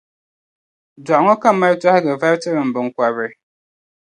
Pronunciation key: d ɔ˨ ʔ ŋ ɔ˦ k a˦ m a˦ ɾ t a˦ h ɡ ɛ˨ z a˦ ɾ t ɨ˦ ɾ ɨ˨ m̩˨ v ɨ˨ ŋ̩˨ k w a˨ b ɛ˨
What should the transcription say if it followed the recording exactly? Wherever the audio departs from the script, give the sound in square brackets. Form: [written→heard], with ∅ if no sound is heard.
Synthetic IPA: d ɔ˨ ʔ ŋ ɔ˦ k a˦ m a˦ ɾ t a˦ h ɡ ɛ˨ [z→v] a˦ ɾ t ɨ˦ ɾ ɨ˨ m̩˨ [v→b] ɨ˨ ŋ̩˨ k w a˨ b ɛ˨